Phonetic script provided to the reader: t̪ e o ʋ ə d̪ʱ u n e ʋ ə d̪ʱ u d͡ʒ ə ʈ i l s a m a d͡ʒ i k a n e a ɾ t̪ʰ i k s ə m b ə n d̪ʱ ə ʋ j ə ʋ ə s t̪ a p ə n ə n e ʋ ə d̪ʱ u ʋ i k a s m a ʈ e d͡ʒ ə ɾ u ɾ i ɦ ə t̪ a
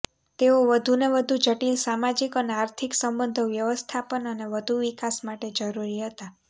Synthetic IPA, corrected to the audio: t̪ e o ʋ ə d̪ʱ u n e ʋ ə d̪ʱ u d͡ʒ ə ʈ i l s a m a d͡ʒ i k ə n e a ɾ t̪ʰ i k s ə m b ə n d̪ʱ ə ʋ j ə ʋ ə s t̪ʰ a p ə n ə n e ʋ ə d̪ʱ u ʋ i k a s m a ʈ e d͡ʒ ə ɾ u ɾ i ɦ ə t̪ a